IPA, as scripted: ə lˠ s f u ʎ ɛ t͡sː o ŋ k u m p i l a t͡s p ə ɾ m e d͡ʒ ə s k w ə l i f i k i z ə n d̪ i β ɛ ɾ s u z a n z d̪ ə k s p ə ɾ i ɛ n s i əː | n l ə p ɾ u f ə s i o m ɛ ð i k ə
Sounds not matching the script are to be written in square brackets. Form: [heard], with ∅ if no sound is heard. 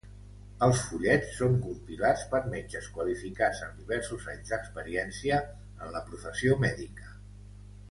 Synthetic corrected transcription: ə lˠ s f u ʎ ɛ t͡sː o ŋ k u m p i l a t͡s p ə ɾ m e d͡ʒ ə s k w ə l i f i k [a] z ə n d̪ i β ɛ ɾ s u z a [ɲ] z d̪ ə k s p ə ɾ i ɛ n s i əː | n l ə p ɾ u f ə s i o m ɛ ð i k ə